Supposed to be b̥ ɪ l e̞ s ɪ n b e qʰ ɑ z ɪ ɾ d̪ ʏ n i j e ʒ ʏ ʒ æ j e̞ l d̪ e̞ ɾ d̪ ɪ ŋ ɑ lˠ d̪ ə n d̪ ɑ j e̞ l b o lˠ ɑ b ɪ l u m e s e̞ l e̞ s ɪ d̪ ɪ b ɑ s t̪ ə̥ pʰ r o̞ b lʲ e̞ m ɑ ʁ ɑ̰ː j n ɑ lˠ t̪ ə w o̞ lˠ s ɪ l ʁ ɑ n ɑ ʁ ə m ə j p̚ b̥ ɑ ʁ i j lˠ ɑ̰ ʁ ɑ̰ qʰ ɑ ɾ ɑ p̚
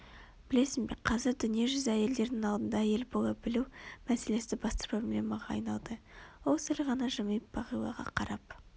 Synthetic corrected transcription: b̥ ɪ l e̞ s ɪ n b e qʰ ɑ z ɪ ɾ d̪ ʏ n i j e ʒ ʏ z æ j e̞ l d̪ e̞ ɾ d̪ ɪ ŋ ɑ lˠ d̪ ə n d̪ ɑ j e̞ l b o lˠ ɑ b ɪ l u m æ s e̞ l e̞ s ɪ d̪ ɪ b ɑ s t̪ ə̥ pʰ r o̞ b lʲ e̞ m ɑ ʁ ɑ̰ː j n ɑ lˠ d̪ ə w o̞ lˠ s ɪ l ʁ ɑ n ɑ ʒ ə m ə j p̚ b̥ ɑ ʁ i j lˠ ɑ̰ ʁ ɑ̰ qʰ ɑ ɾ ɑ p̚